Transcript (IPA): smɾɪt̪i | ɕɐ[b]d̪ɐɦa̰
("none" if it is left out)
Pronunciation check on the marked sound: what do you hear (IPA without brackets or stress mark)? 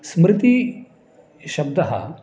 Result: b